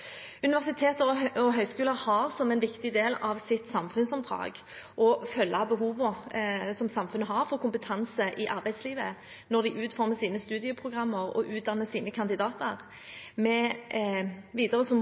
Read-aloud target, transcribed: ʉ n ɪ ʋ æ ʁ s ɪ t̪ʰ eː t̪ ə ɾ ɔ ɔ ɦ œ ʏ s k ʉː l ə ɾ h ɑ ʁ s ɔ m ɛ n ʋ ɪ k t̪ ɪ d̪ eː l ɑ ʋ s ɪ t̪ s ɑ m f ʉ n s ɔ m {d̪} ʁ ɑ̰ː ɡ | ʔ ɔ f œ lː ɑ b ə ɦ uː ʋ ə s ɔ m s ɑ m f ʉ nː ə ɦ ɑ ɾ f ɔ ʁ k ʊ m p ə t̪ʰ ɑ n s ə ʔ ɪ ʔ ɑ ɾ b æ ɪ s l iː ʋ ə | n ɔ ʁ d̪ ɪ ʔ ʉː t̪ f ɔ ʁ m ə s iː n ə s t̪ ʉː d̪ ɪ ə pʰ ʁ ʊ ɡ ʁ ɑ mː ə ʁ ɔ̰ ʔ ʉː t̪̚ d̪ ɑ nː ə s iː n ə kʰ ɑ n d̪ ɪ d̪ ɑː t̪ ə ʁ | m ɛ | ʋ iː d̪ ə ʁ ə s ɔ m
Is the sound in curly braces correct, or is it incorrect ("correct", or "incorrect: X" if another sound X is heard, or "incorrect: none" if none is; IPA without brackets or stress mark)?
correct